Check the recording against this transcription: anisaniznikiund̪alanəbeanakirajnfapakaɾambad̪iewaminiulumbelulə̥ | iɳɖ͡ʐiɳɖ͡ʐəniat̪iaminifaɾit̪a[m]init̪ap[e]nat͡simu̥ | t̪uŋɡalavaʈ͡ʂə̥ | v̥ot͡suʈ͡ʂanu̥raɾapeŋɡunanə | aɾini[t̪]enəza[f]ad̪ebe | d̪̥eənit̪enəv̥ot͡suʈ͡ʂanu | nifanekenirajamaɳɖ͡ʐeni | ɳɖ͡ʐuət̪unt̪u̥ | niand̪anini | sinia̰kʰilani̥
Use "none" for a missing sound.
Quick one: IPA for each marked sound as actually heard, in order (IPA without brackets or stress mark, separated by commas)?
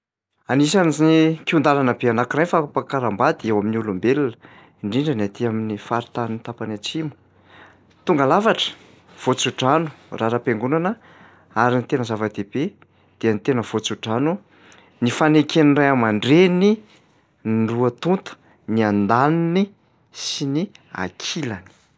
n, a, t̪, v